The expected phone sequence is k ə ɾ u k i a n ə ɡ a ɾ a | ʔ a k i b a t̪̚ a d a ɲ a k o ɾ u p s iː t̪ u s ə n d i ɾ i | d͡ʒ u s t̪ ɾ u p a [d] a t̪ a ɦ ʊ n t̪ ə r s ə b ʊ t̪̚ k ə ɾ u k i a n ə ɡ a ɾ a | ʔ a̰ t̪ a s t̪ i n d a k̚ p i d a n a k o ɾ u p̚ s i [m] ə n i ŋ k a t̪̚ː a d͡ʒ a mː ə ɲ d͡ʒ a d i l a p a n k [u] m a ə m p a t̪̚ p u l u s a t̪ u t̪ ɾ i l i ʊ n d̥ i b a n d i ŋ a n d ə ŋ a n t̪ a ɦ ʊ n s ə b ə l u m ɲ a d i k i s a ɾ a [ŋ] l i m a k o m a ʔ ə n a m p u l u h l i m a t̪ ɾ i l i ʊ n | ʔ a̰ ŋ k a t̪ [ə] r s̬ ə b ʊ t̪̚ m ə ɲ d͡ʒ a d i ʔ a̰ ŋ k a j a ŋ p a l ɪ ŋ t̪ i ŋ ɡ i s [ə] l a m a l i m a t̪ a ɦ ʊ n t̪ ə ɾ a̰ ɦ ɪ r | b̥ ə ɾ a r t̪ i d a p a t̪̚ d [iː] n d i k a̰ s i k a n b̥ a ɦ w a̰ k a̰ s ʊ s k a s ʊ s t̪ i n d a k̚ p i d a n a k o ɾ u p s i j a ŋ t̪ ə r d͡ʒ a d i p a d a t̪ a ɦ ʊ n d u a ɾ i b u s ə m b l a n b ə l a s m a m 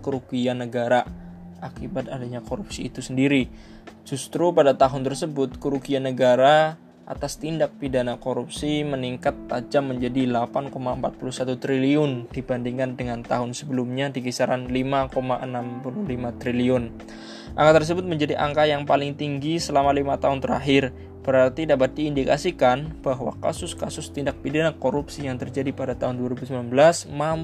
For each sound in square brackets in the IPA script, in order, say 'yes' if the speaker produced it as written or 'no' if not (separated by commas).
yes, yes, no, no, yes, yes, yes